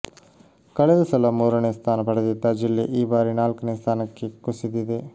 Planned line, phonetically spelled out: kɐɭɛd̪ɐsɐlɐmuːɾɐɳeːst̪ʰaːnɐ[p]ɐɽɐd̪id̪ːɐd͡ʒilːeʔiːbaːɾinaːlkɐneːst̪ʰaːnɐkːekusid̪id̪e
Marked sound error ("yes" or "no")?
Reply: no